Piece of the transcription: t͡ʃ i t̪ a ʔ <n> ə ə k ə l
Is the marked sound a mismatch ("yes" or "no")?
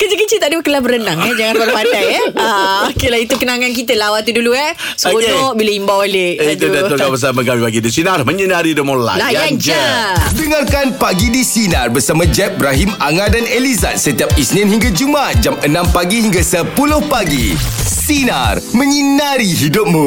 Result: yes